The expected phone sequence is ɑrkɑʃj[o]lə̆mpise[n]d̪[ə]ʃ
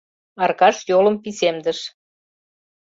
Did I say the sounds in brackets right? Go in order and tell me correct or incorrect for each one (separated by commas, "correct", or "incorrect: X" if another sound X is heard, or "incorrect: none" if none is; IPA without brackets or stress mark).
correct, incorrect: m, correct